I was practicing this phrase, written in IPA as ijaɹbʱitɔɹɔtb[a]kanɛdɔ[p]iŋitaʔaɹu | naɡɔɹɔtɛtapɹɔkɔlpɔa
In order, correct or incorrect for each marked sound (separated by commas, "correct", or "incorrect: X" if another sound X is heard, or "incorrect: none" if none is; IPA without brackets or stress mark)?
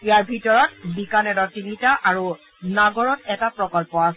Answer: incorrect: i, incorrect: t